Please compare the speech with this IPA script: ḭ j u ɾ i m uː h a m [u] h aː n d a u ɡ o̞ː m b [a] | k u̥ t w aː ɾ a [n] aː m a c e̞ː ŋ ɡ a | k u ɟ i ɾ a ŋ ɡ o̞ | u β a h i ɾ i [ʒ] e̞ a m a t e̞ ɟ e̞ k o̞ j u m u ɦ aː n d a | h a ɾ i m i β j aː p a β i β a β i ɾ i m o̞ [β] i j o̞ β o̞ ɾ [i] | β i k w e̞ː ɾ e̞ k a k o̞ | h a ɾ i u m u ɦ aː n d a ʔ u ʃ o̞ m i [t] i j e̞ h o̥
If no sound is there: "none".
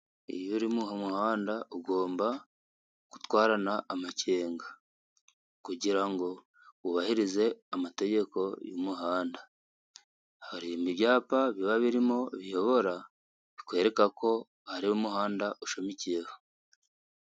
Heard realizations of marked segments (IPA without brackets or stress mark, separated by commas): u, a, n, z, β, a, c